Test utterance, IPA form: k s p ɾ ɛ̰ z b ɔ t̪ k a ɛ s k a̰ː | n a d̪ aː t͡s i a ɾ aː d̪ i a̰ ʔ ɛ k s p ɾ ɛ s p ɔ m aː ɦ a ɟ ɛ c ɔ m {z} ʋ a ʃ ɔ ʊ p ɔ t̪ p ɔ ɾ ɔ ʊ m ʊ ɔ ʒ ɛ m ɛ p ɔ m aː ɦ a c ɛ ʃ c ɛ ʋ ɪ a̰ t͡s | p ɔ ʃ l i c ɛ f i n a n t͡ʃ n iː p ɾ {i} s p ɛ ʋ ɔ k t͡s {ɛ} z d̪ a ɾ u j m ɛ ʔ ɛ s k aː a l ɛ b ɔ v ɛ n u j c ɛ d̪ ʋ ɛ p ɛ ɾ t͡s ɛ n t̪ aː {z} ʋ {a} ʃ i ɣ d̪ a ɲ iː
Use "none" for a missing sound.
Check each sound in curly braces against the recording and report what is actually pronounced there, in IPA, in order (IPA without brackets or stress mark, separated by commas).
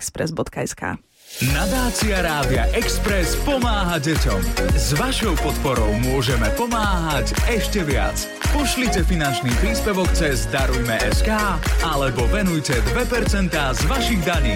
z, iː, ɛ, z, a